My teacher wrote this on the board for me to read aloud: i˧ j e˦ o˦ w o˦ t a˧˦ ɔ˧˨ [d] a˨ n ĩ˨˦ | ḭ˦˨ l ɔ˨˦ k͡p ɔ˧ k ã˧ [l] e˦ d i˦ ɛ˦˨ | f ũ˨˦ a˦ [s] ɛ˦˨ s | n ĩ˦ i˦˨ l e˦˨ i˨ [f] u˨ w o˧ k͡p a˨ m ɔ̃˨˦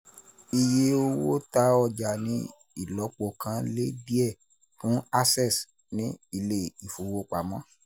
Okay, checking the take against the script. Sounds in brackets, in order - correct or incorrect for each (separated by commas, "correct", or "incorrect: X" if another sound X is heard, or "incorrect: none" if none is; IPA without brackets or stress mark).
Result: incorrect: d͡ʒ, correct, correct, correct